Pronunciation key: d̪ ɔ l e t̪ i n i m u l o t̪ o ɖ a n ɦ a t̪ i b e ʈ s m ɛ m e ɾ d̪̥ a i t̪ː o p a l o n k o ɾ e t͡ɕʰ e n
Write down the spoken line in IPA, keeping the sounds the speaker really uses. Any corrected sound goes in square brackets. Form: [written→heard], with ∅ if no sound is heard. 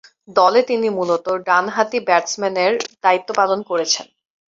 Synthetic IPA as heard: d̪ ɔ l e t̪ i n i m u l o t̪ o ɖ a n ɦ a t̪ i b [e→ɛ] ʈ s m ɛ [m→n] e ɾ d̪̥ a i t̪ː o p a l o n k o ɾ e t͡ɕʰ e n